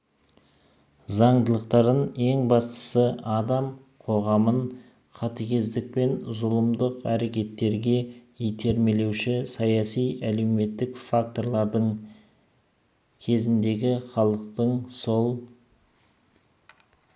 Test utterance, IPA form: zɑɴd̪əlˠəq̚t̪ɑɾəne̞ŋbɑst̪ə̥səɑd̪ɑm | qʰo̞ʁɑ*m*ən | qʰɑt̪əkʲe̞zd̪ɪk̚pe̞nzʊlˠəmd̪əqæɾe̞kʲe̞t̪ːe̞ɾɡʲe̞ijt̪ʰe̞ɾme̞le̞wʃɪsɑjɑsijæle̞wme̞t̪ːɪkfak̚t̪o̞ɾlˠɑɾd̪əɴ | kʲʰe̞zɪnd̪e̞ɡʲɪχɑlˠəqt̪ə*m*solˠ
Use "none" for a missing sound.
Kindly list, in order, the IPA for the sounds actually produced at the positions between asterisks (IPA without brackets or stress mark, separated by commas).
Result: m, ɴ